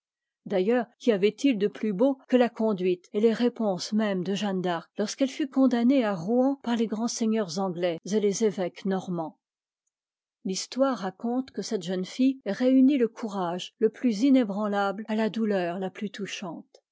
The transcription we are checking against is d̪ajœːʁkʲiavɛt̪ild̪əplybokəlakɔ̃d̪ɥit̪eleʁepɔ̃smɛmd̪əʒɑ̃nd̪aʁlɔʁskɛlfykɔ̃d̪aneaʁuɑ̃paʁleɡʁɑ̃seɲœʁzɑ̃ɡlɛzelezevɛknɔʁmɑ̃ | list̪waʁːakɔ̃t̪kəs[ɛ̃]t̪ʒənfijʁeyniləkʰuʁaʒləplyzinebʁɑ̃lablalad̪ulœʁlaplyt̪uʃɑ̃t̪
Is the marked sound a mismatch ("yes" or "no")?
yes